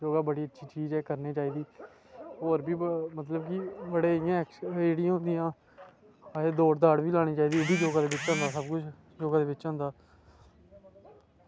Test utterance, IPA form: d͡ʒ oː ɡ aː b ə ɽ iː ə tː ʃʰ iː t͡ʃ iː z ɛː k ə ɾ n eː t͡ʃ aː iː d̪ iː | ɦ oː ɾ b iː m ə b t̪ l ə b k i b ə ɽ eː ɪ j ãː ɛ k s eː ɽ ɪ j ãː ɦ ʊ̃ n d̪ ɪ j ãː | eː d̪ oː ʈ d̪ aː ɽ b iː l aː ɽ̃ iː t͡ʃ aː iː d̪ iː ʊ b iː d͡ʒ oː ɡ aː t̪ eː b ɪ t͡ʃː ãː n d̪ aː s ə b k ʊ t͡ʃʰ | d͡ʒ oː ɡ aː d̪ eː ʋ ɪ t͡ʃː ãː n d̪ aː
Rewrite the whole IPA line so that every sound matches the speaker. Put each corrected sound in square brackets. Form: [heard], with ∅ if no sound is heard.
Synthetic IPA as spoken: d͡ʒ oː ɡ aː b ə ɽ iː ə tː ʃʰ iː t͡ʃ iː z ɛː k ə ɾ n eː t͡ʃ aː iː d̪ iː | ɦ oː ɾ b iː m ə [∅] t̪ l ə b k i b ə ɽ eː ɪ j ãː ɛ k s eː ɽ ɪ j ãː ɦ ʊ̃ n d̪ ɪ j ãː | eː d̪ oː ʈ d̪ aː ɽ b iː l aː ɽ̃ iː t͡ʃ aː iː d̪ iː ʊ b iː d͡ʒ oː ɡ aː [d̪] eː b ɪ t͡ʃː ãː n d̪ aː s ə b k ʊ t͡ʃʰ | d͡ʒ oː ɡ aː d̪ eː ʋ ɪ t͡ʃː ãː n d̪ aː